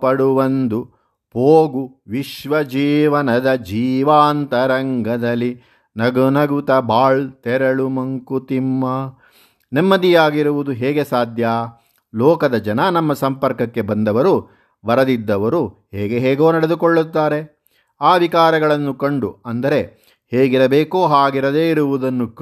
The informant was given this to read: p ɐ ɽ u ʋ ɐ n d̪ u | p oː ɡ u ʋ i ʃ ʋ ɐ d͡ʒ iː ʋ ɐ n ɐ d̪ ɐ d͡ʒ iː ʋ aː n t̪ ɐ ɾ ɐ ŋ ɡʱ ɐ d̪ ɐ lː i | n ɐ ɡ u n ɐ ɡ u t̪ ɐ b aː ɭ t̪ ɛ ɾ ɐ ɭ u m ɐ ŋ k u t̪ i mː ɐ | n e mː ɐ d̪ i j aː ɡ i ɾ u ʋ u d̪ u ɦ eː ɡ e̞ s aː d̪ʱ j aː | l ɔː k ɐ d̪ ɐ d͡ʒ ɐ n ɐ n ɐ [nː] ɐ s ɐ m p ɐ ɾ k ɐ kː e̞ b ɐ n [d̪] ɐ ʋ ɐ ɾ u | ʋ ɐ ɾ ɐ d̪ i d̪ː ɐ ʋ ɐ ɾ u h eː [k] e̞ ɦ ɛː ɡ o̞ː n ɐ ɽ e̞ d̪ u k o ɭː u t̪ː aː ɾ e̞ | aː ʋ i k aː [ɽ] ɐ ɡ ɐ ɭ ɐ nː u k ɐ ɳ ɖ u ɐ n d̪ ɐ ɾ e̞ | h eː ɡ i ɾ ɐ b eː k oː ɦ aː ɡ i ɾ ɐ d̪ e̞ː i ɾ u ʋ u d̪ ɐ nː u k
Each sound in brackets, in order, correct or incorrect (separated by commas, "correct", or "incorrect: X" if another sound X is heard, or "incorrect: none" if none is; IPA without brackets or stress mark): incorrect: mː, correct, incorrect: ɡ, incorrect: ɾ